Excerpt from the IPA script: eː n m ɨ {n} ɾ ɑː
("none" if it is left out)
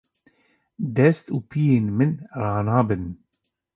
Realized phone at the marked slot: n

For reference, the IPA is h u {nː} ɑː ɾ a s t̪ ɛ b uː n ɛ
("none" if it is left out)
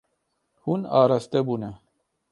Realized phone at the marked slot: n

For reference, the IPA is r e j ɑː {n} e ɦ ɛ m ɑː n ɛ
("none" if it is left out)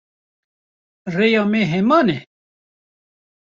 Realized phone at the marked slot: m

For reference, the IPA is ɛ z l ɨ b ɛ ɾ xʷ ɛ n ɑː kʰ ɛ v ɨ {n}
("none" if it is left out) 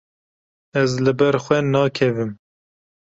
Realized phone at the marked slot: m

